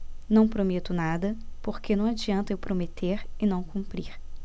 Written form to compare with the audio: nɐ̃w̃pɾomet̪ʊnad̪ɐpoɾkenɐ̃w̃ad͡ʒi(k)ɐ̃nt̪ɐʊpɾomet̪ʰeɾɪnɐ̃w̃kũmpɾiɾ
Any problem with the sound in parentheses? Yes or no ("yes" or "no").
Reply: yes